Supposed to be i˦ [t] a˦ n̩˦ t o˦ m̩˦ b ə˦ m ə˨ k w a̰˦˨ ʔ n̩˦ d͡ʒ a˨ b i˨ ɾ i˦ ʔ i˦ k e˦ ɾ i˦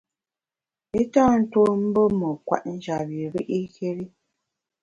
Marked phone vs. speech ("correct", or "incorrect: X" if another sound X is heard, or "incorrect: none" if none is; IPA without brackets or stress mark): correct